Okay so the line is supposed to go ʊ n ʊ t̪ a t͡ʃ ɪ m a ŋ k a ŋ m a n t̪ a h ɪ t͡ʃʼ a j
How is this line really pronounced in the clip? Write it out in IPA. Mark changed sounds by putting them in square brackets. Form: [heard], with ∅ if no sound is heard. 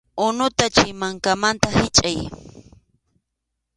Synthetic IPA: ʊ n ʊ t̪ a t͡ʃ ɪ m a ŋ k a [∅] m a n t̪ a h ɪ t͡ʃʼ a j